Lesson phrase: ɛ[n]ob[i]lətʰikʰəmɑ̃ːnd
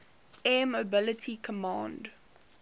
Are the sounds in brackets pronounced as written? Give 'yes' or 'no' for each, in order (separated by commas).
no, no